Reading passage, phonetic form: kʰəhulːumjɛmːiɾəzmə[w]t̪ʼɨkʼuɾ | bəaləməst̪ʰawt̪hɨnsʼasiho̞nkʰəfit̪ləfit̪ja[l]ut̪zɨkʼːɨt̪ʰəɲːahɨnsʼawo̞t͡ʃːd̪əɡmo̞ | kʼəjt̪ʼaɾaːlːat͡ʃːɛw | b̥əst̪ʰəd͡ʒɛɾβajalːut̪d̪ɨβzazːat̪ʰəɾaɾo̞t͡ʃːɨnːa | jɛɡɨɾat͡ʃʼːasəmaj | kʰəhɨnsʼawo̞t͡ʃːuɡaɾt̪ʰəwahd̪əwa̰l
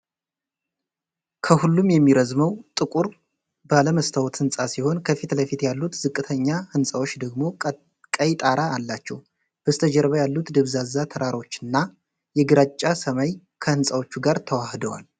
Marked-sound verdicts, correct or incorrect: correct, incorrect: lː

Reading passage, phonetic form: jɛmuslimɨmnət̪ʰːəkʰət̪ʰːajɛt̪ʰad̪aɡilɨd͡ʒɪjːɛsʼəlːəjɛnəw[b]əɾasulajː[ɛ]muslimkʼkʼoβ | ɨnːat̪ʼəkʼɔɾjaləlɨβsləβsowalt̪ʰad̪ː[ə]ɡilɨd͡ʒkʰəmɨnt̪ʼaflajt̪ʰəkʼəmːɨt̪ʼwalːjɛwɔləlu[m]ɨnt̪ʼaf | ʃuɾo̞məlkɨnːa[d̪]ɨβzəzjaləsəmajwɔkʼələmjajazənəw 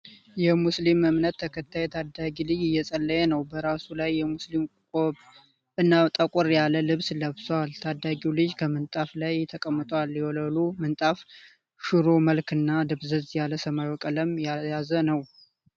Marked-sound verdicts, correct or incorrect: correct, correct, incorrect: a, correct, correct

